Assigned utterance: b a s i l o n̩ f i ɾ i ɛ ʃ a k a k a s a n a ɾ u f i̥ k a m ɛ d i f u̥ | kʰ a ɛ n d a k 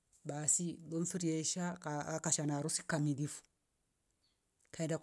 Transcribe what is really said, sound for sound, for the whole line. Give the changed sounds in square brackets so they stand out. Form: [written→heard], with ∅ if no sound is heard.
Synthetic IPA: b a s i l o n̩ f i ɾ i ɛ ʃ a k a k a [s→ʃ] a n a ɾ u [f→s] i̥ k a m [ɛ→i] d i f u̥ | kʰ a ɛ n d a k